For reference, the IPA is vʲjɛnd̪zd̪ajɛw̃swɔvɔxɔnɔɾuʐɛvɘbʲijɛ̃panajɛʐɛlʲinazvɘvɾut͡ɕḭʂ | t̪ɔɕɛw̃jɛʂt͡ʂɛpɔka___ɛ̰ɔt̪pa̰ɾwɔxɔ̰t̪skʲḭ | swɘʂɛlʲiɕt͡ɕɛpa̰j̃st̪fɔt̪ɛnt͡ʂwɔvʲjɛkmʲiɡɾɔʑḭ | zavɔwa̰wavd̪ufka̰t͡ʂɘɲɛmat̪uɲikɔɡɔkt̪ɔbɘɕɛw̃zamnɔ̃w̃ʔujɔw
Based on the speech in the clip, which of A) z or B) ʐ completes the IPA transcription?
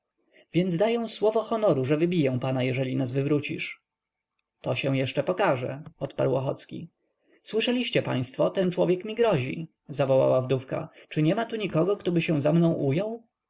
B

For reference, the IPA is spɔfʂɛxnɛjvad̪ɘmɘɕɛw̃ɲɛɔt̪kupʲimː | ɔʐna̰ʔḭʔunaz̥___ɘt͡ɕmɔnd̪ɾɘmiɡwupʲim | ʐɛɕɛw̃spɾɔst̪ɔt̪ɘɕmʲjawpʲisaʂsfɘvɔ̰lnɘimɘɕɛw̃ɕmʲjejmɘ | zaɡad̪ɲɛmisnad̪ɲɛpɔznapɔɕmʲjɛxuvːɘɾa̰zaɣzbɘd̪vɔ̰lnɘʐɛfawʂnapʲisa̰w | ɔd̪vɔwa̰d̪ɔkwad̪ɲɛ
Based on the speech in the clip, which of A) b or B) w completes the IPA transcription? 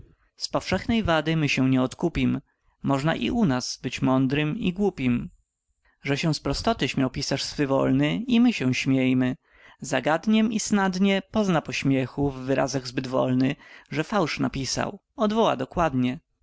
A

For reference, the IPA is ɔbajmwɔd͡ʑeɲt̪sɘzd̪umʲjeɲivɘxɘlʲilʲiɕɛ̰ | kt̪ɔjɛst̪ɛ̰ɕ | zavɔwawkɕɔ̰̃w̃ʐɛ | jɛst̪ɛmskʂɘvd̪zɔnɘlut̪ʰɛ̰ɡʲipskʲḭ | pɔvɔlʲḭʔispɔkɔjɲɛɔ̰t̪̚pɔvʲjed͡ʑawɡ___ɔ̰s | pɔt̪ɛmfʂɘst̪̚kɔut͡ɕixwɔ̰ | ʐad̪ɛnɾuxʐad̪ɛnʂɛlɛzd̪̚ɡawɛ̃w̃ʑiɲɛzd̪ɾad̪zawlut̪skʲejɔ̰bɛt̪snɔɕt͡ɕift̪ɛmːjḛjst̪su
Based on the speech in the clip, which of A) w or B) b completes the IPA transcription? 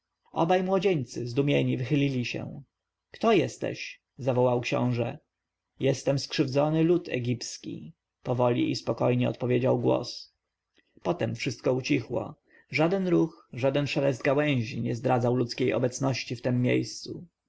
A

